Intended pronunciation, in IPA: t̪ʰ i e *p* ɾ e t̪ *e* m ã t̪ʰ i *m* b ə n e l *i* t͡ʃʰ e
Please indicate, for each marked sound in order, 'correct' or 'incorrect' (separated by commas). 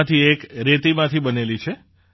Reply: incorrect, incorrect, incorrect, correct